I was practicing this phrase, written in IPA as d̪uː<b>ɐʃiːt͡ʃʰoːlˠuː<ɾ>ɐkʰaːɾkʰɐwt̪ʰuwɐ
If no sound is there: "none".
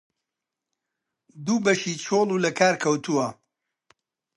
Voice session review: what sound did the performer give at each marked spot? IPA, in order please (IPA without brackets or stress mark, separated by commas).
b, l